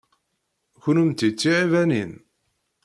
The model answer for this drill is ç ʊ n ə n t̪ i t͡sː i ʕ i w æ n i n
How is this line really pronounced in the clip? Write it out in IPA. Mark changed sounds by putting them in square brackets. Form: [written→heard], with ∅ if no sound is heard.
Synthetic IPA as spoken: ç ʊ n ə [n→m] t̪ i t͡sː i ʕ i [w→v] æ n i n